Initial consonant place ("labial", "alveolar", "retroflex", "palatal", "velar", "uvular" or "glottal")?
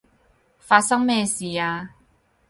labial